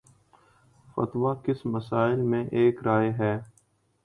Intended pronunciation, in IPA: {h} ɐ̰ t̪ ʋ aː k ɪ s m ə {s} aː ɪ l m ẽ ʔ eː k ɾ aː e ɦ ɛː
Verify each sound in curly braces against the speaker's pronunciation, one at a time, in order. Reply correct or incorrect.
incorrect: f, correct

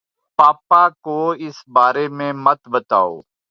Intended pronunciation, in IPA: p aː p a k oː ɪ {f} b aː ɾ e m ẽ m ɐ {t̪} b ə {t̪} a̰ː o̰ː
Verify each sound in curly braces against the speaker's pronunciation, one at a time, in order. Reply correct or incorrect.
incorrect: s, correct, correct

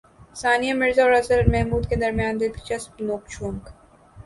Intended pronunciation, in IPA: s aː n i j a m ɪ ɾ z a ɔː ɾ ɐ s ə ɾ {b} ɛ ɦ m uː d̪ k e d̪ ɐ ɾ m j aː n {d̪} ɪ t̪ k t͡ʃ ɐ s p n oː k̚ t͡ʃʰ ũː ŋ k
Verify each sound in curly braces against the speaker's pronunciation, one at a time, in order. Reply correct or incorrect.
incorrect: m, correct

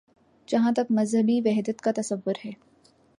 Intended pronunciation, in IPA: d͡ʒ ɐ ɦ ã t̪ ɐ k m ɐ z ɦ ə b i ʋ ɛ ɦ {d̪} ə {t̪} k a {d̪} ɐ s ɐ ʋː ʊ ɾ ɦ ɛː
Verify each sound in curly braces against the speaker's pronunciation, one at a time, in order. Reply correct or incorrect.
correct, correct, incorrect: t̪

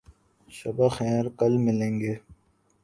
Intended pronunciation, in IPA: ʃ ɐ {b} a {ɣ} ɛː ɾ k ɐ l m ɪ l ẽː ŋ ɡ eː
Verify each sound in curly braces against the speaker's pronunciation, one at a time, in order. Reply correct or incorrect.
correct, incorrect: x

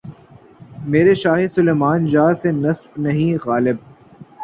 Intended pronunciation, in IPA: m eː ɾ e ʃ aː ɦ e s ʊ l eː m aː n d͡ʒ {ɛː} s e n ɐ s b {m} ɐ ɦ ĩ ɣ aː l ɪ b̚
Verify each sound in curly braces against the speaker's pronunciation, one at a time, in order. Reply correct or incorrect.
incorrect: aː, incorrect: n

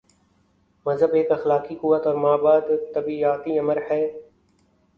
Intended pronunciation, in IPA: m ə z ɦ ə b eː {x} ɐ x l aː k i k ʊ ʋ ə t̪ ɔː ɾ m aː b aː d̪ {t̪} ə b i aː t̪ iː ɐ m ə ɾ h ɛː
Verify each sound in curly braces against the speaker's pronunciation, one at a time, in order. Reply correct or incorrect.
incorrect: k, correct

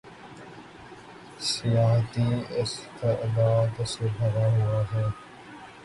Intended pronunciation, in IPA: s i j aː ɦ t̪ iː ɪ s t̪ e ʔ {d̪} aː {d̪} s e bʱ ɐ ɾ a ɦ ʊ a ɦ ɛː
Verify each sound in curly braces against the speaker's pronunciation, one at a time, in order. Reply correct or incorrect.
correct, correct

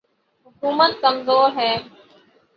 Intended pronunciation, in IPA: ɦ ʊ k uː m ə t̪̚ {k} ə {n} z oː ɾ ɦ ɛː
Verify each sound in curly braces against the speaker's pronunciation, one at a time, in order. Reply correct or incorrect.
correct, incorrect: m

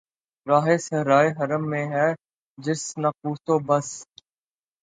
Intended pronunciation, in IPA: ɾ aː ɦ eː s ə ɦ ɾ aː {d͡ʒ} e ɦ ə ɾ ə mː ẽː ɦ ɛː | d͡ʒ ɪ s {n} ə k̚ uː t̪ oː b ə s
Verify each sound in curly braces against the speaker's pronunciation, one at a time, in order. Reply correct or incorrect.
incorrect: none, correct

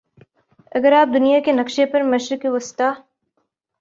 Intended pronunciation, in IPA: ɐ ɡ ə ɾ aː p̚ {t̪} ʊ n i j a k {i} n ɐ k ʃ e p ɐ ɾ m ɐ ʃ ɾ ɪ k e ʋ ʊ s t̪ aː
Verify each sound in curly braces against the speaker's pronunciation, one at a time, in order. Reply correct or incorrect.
incorrect: d̪, incorrect: e

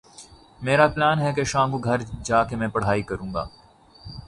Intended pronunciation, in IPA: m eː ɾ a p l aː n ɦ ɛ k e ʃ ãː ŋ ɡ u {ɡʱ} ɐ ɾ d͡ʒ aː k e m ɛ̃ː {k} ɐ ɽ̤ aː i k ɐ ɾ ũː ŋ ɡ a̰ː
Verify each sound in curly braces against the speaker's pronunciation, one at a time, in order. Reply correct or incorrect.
correct, incorrect: p

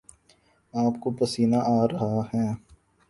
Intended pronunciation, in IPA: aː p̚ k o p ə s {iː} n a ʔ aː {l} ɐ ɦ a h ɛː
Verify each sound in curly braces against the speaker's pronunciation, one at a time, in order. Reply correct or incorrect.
correct, incorrect: ɾ

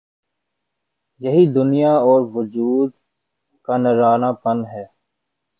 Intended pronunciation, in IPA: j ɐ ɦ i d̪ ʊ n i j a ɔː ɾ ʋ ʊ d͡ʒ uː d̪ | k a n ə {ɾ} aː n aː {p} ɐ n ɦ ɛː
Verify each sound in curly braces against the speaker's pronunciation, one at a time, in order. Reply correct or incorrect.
correct, correct

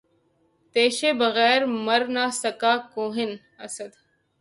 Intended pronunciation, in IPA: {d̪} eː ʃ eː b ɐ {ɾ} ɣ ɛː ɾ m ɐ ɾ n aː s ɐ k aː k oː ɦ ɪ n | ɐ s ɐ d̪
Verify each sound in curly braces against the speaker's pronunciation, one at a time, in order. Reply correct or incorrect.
incorrect: t̪, incorrect: none

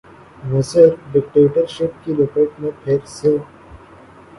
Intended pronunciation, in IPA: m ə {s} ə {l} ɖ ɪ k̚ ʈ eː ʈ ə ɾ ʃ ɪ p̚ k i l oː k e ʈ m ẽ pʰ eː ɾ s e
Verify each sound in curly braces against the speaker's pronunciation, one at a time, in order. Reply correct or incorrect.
correct, incorrect: ɾ

